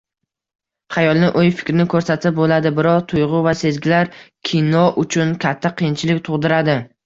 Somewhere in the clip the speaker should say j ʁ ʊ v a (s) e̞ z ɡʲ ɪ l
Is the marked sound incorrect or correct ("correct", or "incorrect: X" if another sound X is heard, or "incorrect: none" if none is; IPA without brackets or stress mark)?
correct